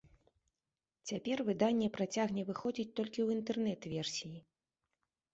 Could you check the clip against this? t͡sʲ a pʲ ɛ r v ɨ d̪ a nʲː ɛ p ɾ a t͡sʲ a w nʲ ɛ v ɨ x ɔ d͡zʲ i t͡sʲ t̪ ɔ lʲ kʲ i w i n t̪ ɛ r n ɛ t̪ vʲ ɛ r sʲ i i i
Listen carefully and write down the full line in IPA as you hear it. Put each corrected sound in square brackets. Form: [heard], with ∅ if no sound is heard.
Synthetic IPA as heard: t͡sʲ a pʲ ɛ r v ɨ d̪ a nʲː ɛ p ɾ a t͡sʲ a [ɣ] nʲ ɛ v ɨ x ɔ d͡zʲ i t͡sʲ t̪ ɔ lʲ kʲ i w i n t̪ ɛ r n ɛ t̪ vʲ ɛ r sʲ i [j] i